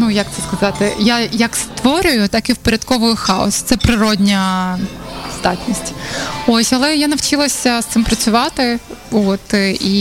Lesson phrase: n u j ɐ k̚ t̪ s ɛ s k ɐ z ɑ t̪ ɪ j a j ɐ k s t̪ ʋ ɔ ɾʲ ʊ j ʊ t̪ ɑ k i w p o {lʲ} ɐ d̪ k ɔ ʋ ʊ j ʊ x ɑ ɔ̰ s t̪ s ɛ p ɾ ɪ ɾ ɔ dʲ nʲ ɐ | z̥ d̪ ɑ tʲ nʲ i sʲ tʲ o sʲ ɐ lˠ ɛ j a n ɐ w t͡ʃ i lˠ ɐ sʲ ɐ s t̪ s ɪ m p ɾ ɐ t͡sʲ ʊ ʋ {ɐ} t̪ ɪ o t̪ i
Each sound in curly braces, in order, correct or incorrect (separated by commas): incorrect, incorrect